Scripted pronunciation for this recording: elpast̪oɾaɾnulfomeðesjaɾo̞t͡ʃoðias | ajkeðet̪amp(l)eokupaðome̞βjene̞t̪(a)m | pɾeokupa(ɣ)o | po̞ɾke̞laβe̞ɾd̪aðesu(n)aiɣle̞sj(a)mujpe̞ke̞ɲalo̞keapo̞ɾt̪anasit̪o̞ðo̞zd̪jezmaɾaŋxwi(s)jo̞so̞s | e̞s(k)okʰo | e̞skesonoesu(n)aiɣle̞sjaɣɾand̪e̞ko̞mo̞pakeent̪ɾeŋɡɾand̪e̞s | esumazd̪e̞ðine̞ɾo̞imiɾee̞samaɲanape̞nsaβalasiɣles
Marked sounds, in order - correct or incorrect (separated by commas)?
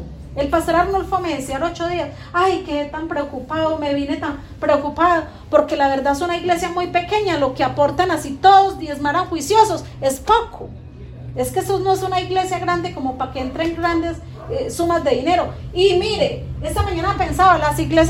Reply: incorrect, correct, incorrect, correct, correct, correct, incorrect, correct